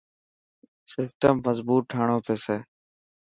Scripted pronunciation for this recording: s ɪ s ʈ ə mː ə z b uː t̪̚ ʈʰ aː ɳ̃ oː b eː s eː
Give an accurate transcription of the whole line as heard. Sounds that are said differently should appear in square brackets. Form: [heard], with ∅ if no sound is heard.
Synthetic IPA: s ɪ s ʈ ə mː ə z b uː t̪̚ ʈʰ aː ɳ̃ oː [p] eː s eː